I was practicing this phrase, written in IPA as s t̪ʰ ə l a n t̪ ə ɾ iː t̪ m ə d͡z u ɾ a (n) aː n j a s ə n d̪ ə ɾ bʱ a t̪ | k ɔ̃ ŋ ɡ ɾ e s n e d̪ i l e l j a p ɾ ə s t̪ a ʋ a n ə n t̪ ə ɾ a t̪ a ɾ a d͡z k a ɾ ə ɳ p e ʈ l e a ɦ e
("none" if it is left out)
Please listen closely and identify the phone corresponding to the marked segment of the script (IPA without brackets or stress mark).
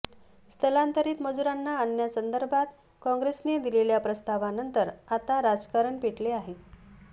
nː